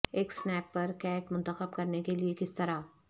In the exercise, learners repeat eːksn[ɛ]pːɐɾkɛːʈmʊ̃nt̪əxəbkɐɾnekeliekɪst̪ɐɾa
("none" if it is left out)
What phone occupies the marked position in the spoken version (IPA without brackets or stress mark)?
ɛː